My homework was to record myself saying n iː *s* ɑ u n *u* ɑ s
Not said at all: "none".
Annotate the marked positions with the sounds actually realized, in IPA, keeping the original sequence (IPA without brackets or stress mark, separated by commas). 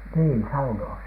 s, o